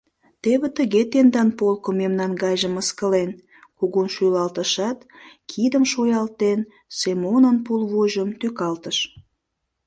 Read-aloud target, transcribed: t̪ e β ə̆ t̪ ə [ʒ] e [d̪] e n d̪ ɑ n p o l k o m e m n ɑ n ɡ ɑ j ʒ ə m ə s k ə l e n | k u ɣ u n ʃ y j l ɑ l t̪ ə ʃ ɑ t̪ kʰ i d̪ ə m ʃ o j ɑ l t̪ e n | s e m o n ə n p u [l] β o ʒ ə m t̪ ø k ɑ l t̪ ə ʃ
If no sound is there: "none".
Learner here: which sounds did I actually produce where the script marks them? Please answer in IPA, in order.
ɣ, t̪, l

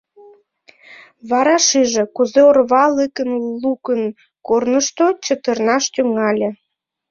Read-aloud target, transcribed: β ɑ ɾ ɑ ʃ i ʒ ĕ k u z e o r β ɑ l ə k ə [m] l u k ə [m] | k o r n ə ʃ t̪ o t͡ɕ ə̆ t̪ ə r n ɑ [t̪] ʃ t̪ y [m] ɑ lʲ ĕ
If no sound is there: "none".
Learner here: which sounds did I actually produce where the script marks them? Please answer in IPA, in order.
n, n, none, ŋ

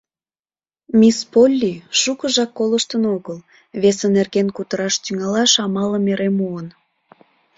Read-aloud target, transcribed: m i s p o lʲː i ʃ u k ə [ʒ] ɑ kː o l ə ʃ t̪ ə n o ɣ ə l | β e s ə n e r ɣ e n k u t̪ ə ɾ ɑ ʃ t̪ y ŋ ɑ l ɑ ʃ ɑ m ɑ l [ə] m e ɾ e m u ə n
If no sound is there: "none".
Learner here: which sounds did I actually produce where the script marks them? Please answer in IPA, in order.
ʒ, ə

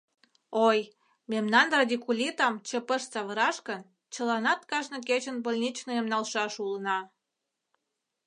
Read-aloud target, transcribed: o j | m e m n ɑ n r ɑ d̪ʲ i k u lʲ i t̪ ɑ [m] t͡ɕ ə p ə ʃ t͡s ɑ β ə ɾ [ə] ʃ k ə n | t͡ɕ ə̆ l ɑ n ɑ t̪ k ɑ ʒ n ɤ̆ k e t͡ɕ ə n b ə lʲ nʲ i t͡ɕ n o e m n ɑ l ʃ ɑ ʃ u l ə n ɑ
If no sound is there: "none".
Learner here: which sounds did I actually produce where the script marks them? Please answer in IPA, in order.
m, ɑ

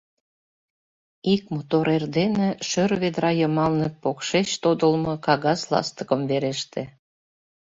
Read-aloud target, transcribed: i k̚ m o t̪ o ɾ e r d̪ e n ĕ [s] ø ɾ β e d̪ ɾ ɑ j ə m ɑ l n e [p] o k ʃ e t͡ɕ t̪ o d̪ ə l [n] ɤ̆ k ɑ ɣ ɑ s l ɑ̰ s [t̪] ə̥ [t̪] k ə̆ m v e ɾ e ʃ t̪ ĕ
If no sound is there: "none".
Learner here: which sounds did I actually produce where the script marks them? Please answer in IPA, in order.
ʃ, p, m, t̪, none

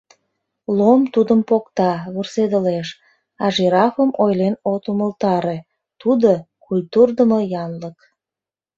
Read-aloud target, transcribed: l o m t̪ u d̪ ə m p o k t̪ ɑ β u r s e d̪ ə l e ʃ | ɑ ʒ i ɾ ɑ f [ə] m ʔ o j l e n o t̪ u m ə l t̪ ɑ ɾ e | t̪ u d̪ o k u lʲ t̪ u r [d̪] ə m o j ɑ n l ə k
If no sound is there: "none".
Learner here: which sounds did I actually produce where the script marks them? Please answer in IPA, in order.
ə, d̪

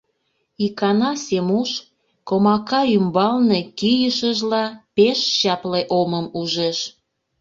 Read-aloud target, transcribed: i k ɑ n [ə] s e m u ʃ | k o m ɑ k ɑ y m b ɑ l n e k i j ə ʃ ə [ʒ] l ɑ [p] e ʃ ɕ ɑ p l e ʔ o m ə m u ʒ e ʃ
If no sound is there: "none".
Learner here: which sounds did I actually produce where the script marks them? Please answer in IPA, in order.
ɑ, ʒ, p

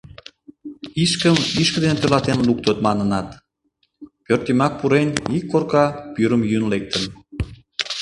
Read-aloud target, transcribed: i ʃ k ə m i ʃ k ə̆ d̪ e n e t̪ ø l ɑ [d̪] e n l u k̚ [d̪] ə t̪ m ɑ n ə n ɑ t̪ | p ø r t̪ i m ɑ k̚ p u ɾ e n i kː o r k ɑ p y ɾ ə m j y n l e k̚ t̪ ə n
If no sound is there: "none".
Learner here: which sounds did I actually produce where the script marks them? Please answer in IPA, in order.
t̪, t̪

